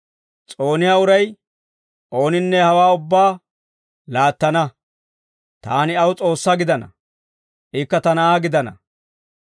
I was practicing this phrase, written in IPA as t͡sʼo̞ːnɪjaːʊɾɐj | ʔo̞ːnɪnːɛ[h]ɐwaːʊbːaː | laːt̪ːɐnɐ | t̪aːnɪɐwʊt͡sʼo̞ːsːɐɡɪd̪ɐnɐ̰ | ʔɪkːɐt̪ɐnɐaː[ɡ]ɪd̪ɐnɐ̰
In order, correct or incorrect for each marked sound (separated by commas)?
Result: correct, correct